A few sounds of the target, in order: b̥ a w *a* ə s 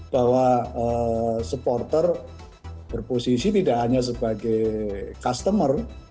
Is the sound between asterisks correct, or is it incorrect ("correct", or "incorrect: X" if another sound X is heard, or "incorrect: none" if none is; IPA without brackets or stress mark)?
correct